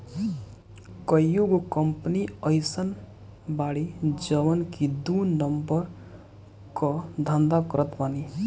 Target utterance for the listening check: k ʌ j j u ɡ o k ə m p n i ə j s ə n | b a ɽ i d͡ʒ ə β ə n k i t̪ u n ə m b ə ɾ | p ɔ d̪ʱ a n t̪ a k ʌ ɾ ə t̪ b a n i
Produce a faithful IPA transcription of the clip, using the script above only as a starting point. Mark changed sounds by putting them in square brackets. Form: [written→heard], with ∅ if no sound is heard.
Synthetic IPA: k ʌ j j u ɡ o k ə m p n i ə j s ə n | b a ɽ i d͡ʒ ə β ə n k i [t̪→d̪] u n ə m b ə ɾ | [p→k] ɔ d̪ʱ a n [t̪→d̪] a k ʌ ɾ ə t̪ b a n i